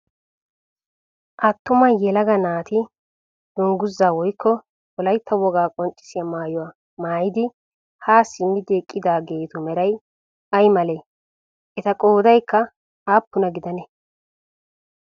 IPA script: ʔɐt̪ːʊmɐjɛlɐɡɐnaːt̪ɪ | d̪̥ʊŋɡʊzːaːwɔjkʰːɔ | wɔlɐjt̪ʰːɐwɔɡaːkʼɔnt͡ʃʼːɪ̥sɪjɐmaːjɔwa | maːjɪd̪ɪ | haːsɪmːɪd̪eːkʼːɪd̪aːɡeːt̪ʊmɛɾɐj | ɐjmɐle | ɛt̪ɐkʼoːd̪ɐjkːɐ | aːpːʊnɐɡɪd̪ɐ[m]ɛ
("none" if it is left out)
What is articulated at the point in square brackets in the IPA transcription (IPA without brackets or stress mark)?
n